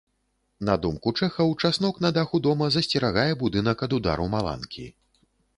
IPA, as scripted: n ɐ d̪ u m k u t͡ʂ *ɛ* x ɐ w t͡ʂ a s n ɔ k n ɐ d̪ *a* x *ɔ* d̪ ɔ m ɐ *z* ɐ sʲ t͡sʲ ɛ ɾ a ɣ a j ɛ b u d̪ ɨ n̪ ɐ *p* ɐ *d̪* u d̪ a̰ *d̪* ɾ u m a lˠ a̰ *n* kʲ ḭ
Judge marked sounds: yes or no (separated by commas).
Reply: yes, yes, no, yes, no, yes, no, yes